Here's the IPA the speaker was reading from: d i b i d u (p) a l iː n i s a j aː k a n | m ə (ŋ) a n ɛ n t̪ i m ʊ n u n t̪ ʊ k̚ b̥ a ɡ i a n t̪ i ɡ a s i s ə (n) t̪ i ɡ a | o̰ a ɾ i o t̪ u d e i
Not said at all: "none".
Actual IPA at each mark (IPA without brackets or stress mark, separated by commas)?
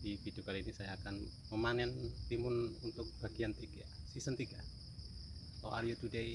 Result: k, m, n